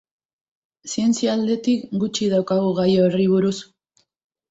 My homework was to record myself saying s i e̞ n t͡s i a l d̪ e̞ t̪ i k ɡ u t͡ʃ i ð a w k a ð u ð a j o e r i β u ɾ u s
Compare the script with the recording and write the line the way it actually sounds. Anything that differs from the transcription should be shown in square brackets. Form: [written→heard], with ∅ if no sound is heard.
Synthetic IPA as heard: s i e̞ n t͡s i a l d̪ e̞ t̪ i k ɡ u t͡ʃ i ð a w k a [ð→ɣ] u [ð→ɣ] a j o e r i β u ɾ u s